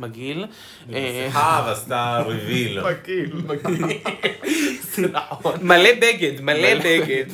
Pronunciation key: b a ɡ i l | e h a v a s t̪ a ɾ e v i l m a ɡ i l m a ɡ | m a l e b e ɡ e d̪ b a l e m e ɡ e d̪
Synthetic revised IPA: m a ɡ i l | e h a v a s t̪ a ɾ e v i l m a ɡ i l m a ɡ | m a l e b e ɡ e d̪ m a l e b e ɡ e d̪